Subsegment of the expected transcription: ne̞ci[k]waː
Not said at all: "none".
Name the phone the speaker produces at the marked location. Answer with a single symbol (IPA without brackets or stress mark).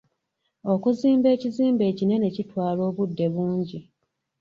t